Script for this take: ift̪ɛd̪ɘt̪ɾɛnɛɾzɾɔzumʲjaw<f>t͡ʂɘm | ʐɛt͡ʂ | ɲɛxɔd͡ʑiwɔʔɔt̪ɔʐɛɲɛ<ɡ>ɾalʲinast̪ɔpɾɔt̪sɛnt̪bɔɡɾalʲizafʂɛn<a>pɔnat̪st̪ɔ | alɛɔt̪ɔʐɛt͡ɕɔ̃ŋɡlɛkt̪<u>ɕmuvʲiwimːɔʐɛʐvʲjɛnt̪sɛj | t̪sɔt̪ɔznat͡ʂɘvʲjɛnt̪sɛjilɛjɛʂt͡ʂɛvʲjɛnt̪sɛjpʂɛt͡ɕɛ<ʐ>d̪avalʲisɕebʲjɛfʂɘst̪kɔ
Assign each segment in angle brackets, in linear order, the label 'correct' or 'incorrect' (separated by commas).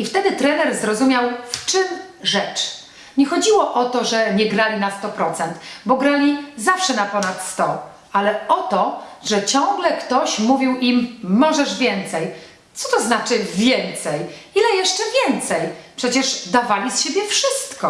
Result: correct, correct, correct, incorrect, correct